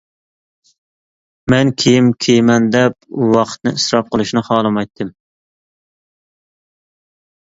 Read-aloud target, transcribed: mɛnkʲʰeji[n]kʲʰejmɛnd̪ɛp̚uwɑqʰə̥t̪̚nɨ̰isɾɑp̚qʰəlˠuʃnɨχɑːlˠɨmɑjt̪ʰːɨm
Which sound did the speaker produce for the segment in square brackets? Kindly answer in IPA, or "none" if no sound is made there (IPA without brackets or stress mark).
m